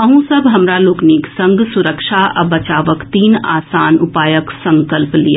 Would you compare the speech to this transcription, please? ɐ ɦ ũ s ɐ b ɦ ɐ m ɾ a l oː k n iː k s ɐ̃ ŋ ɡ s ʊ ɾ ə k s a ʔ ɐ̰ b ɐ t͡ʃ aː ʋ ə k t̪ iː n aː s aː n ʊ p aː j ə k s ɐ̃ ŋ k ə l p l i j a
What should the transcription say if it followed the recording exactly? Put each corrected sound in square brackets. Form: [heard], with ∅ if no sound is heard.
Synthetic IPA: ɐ ɦ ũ s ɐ b ɦ ɐ m ɾ a l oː k n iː k s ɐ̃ ŋ ɡ s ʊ ɾ ə k [ʃ] a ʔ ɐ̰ b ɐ t͡ʃ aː ʋ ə k t̪ iː n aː s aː n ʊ p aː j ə k s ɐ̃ ŋ k ə l p l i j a